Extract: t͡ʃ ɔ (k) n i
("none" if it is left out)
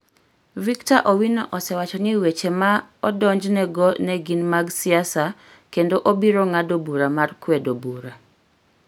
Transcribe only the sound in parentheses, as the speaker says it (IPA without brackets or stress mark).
none